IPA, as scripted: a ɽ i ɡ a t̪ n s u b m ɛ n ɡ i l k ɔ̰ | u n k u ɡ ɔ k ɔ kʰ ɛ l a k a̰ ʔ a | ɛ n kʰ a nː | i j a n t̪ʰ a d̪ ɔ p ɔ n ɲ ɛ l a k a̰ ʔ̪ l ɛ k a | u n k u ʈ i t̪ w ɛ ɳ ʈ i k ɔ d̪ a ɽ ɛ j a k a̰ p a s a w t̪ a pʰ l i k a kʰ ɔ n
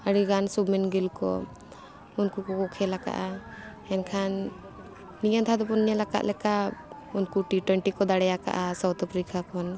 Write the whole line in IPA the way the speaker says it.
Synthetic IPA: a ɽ i ɡ a n s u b m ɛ n ɡ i l k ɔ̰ | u n k u k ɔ k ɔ kʰ ɛ l a k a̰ ʔ a | ɛ n kʰ a nː | i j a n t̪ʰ a d̪ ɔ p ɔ n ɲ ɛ l a k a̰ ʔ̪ l ɛ k a | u n k u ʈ i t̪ w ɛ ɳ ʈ i k ɔ d̪ a ɽ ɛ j a k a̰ ʔ a s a w t̪ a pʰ ɾ i k a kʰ ɔ n

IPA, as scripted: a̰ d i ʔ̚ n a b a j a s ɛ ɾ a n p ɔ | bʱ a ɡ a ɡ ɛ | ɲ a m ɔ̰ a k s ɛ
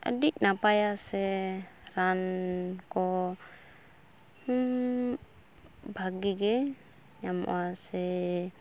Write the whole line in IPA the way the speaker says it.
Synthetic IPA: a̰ d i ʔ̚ n a p a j a s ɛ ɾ a n k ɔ | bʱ a ɡ i ɡ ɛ | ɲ a m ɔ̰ a s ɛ

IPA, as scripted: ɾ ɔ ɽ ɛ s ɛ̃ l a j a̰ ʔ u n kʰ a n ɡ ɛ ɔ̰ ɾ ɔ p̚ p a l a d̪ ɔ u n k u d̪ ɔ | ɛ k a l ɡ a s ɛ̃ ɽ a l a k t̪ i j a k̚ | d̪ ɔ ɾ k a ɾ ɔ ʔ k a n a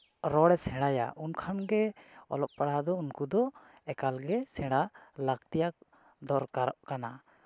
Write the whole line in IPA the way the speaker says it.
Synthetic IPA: ɾ ɔ ɽ ɛ s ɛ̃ ɽ a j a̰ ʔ u n kʰ a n ɡ ɛ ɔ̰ l ɔ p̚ p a ɽ a d̪ ɔ u n k u d̪ ɔ | ɛ k a l ɡ ɛ s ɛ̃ ɽ a l a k t̪ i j a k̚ | d̪ ɔ ɾ k a ɾ ɔ ʔ k a n a

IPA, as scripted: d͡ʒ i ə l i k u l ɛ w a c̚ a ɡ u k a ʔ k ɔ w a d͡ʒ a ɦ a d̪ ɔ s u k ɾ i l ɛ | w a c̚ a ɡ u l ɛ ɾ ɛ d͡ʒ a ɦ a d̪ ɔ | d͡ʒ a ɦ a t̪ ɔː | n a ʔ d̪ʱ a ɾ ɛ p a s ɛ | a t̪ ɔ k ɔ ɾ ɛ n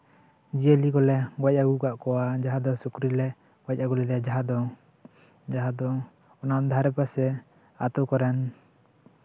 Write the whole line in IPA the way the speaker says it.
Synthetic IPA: d͡ʒ i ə l i k ɔ l ɛ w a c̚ a ɡ u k a ʔ k ɔ w a d͡ʒ a ɦ a d̪ ɔ s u k ɾ i l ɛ | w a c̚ a ɡ u l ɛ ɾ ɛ d͡ʒ a ɦ a d̪ ɔ | d͡ʒ a ɦ a d̪ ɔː | n a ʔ d̪ʱ a ɾ ɛ p a s ɛ | a t̪ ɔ k ɔ ɾ ɛ n

